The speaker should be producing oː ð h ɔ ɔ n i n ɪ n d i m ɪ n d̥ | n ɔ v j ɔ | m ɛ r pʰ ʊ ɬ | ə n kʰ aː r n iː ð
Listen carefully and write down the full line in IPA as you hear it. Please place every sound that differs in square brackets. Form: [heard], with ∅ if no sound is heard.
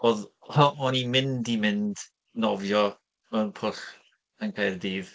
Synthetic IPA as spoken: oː ð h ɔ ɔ n i [m] ɪ n d i m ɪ n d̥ | n ɔ v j ɔ | m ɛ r pʰ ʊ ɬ | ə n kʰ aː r [d] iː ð